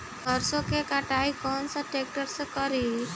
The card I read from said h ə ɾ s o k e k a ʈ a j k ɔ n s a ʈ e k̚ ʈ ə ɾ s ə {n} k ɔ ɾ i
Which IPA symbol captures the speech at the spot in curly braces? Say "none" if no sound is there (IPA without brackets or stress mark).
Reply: none